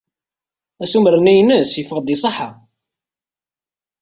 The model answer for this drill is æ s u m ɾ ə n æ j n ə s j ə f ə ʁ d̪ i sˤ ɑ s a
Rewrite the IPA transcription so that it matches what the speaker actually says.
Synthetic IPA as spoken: æ s u m ɾ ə n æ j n ə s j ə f ə ʁ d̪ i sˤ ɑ ħ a